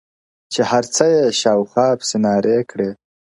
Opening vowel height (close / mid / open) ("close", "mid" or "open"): mid